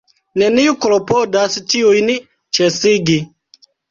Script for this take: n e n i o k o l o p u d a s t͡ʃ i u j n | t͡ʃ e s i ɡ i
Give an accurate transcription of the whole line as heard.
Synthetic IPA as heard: n e n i u k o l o p o d a s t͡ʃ i u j n | t͡ʃ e s i ɡ i